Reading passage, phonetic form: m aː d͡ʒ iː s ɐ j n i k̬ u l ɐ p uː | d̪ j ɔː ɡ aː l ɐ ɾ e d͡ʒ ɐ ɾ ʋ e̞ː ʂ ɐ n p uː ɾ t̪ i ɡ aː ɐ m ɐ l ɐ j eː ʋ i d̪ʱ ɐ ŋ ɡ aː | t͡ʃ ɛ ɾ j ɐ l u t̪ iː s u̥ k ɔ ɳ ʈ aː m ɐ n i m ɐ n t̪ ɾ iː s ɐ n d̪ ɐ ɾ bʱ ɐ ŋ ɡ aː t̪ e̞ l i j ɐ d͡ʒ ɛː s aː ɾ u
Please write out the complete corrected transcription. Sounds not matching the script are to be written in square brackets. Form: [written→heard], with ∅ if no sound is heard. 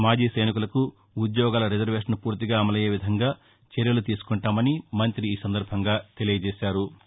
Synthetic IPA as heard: m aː d͡ʒ iː s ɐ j n i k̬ u l ɐ [p→k] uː | d̪ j ɔː ɡ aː l ɐ ɾ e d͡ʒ ɐ ɾ ʋ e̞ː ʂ ɐ n p uː ɾ t̪ i ɡ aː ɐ m ɐ l ɐ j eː ʋ i d̪ʱ ɐ ŋ ɡ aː | t͡ʃ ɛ ɾ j ɐ l u t̪ iː s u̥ k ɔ ɳ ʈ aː m ɐ n i m ɐ n t̪ ɾ iː s ɐ n d̪ ɐ ɾ bʱ ɐ ŋ ɡ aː t̪ e̞ l i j ɐ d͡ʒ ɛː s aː ɾ u